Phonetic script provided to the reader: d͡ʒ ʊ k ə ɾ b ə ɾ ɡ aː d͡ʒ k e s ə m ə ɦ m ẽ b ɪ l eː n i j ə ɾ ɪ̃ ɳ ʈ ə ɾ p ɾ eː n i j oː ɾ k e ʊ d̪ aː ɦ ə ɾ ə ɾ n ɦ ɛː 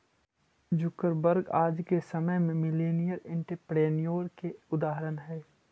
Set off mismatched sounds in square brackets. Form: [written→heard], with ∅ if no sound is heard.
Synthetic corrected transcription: d͡ʒ ʊ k ə ɾ b ə ɾ ɡ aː d͡ʒ k e s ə m ə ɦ m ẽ [b→m] ɪ l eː n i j ə ɾ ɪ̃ ɳ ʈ ə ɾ p ɾ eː n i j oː ɾ k e ʊ d̪ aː ɦ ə ɾ ə [ɾ→∅] n ɦ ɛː